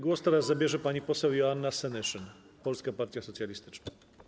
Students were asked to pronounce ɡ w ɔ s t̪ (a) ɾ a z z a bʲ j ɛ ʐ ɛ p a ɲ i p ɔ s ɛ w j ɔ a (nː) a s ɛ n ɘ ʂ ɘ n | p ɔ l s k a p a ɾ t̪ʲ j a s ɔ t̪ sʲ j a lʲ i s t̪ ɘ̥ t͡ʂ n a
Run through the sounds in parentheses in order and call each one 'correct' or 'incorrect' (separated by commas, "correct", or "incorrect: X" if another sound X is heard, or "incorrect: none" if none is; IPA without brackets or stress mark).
incorrect: ɛ, correct